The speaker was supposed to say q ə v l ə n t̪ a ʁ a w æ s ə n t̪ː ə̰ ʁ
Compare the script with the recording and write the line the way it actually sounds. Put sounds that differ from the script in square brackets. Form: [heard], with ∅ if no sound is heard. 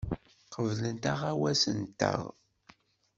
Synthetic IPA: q ə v l ə n t̪ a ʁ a w æ s ə n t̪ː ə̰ ʁ